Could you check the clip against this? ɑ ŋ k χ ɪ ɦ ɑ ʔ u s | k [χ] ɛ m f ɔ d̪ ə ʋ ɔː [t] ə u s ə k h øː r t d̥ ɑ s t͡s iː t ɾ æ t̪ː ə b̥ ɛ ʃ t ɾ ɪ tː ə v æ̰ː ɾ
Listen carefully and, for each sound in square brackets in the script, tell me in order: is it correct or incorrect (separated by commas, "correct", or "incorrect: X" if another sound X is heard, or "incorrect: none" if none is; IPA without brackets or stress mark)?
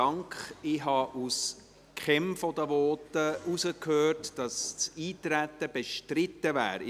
correct, correct